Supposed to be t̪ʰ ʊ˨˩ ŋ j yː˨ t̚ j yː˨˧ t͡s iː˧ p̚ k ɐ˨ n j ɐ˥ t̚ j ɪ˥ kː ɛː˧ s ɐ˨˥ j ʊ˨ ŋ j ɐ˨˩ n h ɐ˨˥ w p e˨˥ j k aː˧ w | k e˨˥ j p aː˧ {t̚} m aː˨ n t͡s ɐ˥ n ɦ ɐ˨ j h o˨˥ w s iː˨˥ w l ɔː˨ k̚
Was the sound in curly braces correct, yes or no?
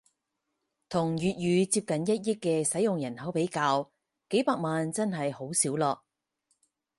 no